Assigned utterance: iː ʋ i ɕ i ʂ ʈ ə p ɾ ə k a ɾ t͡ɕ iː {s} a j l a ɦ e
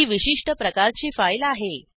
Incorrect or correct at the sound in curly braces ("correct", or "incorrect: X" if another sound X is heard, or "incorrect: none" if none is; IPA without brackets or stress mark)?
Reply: incorrect: f